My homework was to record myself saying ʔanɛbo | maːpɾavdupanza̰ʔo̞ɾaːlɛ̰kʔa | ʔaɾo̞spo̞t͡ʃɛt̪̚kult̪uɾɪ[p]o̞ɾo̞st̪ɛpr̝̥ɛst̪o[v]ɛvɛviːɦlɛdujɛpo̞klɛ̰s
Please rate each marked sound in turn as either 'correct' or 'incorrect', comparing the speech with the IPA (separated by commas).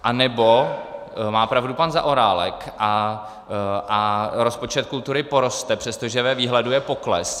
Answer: correct, incorrect